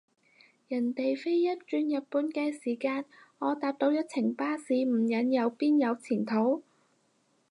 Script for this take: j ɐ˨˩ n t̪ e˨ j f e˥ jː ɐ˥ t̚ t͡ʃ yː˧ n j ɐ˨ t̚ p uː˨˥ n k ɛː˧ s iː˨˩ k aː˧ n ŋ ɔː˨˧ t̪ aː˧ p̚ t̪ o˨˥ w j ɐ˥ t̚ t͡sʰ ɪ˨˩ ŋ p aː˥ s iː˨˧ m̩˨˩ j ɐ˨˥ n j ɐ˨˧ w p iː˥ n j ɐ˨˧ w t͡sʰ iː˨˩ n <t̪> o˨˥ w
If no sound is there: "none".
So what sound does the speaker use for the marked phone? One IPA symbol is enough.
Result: t̪ʰ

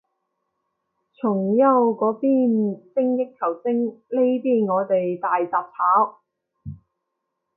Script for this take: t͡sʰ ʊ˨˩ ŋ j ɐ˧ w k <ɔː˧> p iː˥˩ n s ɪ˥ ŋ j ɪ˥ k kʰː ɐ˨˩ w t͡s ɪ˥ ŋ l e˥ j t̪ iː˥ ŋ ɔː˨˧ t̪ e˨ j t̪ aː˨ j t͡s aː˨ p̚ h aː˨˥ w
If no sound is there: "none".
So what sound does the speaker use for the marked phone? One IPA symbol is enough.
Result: ɔː˨˥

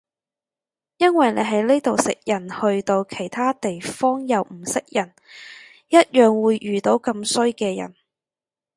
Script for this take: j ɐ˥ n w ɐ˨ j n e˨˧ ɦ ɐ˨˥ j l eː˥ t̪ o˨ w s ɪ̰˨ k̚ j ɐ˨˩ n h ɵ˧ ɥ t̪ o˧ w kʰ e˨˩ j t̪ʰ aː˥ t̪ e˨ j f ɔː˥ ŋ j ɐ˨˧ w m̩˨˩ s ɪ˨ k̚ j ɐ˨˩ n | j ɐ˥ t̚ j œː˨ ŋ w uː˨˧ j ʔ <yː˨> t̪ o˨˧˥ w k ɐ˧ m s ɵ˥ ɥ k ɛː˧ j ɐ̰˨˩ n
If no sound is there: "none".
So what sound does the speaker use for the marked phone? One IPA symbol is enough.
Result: yː˨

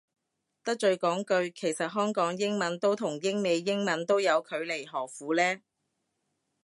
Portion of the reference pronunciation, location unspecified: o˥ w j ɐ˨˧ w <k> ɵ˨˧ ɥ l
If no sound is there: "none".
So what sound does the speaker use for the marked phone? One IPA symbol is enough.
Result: kʰ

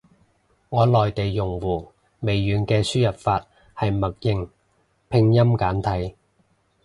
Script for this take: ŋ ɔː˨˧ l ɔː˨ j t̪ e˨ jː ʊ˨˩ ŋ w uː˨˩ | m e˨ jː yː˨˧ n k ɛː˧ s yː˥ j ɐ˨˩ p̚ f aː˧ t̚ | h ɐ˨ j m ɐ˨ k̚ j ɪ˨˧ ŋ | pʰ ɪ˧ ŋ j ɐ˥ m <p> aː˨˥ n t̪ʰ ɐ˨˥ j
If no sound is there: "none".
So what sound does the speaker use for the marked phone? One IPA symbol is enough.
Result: k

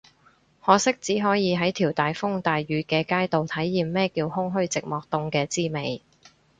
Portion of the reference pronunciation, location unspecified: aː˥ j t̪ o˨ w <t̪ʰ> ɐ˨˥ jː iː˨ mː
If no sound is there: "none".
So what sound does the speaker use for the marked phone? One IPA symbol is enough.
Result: t̪ʰ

